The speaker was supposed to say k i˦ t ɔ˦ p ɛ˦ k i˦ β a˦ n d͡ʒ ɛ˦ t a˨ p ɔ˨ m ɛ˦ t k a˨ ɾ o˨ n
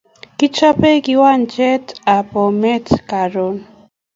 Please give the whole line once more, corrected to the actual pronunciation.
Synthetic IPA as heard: k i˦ t͡ʃ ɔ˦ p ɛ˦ k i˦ w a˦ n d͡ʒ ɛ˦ t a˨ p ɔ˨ m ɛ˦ t k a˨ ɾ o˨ n